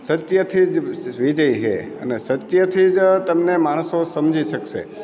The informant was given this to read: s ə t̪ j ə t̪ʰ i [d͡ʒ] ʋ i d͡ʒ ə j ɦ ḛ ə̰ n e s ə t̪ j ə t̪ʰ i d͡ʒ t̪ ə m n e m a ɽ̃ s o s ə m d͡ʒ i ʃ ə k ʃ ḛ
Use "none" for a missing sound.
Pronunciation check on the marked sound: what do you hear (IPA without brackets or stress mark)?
d͡ʒ